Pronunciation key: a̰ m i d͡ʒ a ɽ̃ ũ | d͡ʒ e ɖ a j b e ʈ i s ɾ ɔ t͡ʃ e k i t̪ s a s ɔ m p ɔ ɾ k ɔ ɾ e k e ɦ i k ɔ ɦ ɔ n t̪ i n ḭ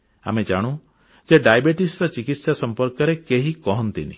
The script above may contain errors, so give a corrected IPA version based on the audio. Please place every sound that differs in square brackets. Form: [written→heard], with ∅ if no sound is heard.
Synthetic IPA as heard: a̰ m [i→e] d͡ʒ a ɽ̃ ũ | d͡ʒ e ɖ a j b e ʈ i s ɾ ɔ t͡ʃ [e→i] k i t̪ s a s ɔ m p ɔ ɾ k ɔ ɾ e k e ɦ i k ɔ ɦ ɔ n t̪ i n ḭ